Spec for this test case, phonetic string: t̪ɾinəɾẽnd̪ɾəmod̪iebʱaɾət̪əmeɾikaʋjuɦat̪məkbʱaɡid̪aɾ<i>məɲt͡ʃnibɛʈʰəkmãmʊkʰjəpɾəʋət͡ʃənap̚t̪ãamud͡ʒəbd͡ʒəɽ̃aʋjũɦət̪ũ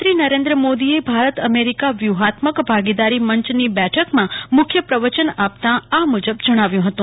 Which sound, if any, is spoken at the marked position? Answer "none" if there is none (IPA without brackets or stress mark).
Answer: i